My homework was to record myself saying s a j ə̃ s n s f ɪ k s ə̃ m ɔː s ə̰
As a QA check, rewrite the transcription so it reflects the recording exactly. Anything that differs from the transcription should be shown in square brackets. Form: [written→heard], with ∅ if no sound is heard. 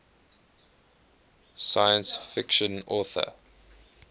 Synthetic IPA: s a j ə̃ [s→∅] n s f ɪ k [s→ʃ] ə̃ [m→n] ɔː [s→θ] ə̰